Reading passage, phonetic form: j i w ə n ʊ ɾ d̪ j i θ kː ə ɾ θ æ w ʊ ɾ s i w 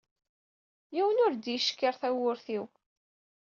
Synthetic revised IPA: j i w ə n ʊ ɾ d̪ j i ʃ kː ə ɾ θ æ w ʊ ɾ θ i w